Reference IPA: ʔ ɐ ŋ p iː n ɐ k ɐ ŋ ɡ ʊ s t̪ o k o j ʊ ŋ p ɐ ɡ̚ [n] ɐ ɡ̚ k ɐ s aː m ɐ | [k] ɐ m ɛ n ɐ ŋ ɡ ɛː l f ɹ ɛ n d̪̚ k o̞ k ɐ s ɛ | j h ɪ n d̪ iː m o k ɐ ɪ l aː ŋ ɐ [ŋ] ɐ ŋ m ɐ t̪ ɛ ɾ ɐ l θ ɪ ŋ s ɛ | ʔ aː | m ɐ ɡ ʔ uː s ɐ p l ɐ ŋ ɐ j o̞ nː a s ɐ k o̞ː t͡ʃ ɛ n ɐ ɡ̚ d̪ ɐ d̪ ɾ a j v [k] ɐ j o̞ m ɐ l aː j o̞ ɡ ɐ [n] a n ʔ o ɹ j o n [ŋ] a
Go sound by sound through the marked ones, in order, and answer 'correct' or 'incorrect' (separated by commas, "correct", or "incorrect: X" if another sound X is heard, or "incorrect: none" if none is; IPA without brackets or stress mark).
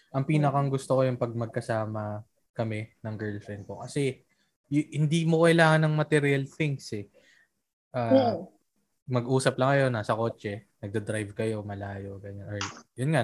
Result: incorrect: m, correct, incorrect: n, correct, incorrect: ɲ, correct